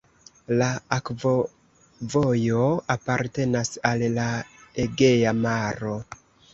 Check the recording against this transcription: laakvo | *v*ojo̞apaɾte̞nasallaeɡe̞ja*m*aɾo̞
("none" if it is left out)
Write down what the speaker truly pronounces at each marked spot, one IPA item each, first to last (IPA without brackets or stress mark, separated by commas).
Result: v, m